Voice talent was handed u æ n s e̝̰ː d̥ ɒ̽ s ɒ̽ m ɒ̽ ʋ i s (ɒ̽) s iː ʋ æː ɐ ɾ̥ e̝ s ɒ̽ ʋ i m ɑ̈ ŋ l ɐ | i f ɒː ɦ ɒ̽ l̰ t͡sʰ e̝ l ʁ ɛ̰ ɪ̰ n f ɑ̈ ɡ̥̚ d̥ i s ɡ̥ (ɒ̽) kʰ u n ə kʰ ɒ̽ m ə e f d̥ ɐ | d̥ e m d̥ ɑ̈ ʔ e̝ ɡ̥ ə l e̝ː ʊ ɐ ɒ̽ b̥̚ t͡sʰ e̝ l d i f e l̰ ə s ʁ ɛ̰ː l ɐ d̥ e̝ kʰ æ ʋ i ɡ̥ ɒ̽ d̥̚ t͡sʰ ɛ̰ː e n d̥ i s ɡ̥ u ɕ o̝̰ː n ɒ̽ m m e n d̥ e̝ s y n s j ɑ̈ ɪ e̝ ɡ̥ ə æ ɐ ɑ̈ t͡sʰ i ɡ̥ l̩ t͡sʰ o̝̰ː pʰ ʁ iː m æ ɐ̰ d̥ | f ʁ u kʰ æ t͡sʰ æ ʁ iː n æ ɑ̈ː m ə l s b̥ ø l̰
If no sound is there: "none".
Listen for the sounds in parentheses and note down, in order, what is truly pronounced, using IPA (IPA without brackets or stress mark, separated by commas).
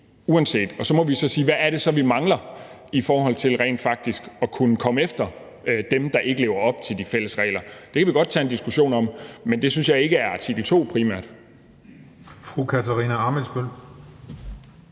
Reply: ɒ̽, ɒ̽